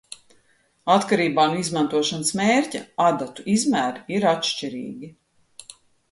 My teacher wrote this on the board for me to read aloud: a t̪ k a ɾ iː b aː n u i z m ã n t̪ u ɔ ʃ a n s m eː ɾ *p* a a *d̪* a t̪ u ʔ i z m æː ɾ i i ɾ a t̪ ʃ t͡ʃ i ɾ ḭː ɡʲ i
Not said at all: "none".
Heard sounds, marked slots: c, d̪

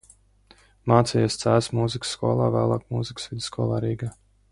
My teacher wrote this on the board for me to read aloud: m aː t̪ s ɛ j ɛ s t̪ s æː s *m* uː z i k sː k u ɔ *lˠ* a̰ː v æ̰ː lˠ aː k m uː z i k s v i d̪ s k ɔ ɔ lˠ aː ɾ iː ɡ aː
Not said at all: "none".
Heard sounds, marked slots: m, lˠ

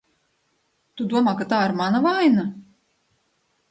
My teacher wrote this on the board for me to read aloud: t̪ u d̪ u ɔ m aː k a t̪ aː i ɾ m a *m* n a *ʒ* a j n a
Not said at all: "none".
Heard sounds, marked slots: none, v

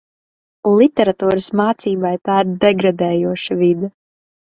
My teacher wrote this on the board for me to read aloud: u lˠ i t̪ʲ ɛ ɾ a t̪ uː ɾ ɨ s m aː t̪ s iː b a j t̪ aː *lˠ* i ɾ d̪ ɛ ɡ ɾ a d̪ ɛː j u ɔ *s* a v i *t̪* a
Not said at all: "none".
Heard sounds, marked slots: none, ʃ, d̪

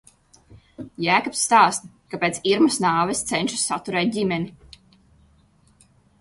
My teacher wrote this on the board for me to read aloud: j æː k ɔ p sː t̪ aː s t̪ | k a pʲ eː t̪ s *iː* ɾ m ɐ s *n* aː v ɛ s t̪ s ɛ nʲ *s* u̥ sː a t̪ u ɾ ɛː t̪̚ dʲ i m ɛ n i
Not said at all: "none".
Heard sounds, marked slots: i, n, ʃ

